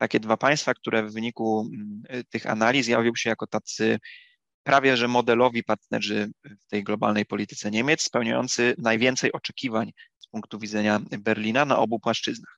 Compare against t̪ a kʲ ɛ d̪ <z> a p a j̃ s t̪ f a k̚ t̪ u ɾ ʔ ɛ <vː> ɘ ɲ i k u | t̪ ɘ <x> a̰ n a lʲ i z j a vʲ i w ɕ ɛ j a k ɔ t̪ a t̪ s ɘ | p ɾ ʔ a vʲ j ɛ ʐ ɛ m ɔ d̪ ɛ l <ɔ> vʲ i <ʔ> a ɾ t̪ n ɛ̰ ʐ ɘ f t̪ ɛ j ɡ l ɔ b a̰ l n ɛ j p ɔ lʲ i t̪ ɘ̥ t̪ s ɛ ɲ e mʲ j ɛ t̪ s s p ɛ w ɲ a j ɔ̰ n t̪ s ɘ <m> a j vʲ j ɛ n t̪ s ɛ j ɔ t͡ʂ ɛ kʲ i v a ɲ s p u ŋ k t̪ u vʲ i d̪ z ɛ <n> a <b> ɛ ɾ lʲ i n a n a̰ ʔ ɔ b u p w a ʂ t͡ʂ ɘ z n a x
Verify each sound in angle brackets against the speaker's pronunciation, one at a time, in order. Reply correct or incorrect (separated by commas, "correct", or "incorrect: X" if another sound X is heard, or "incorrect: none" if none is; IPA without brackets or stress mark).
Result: incorrect: v, correct, correct, correct, incorrect: p, incorrect: n, incorrect: ɲ, correct